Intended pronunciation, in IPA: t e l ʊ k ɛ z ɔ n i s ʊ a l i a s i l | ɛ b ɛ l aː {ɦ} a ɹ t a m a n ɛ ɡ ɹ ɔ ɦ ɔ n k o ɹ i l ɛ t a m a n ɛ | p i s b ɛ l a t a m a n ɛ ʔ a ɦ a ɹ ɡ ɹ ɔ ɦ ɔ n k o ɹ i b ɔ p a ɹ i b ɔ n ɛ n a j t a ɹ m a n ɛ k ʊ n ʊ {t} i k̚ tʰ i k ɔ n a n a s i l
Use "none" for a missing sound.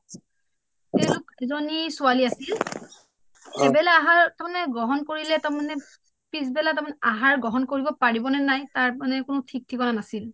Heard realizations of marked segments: ɦ, tʰ

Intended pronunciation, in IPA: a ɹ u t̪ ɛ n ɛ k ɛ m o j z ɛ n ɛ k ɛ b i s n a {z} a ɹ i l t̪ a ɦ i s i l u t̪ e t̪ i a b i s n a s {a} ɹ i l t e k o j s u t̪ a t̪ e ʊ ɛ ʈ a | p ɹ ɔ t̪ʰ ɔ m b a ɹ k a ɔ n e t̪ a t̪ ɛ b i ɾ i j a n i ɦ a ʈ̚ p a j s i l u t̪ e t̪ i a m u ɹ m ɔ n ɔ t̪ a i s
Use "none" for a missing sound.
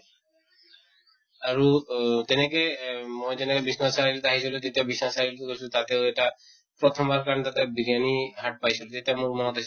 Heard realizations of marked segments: s, a

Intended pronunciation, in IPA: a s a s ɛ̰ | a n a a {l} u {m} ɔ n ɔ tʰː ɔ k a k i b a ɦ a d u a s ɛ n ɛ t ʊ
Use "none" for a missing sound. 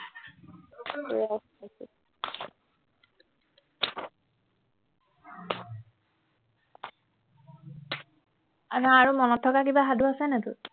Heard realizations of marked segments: ɹ, m

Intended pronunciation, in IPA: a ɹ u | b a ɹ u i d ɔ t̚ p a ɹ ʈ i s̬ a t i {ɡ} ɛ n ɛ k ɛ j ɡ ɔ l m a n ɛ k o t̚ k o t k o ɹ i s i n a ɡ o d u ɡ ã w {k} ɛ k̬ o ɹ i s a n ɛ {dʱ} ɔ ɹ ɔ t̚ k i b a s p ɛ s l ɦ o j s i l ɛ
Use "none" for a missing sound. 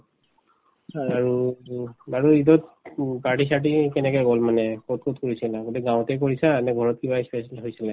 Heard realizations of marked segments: k, t, ɡʱ

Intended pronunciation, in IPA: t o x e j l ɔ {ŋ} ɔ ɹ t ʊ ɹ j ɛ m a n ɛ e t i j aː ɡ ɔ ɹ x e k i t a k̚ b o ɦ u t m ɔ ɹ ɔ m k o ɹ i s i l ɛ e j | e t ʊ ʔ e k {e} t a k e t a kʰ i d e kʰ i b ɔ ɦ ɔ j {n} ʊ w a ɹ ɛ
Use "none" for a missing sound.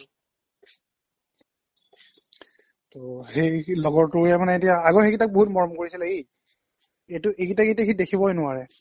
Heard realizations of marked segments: ɡ, i, n

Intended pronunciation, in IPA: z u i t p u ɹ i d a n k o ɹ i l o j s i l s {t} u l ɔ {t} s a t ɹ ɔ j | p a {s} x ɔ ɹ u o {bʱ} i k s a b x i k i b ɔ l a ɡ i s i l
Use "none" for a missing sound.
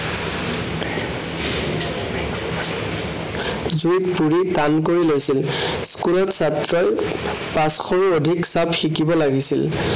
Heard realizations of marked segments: k, t, s, dʱ

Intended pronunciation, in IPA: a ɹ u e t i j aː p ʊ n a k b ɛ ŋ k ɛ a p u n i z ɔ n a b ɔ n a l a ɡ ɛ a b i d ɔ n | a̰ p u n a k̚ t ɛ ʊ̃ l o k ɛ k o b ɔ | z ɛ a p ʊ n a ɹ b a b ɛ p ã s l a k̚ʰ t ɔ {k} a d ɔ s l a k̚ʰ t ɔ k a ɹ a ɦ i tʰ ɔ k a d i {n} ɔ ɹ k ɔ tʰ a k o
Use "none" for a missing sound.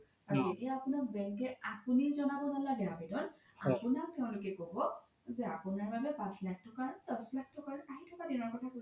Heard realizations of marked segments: k, n

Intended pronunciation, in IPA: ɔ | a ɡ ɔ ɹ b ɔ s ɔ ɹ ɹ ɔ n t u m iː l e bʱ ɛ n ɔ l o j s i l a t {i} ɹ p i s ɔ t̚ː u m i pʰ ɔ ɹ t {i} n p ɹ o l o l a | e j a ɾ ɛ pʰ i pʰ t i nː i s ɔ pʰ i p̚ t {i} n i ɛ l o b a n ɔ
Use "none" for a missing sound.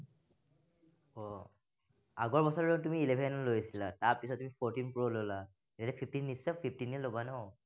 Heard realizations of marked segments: a, i, i

